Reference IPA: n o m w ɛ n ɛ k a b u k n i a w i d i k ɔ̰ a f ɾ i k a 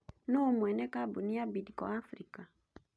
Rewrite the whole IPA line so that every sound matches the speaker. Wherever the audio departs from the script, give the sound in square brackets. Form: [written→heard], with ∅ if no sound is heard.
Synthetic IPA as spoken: n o m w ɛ n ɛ k a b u [k→∅] n i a [w→b] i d i k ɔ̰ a f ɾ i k a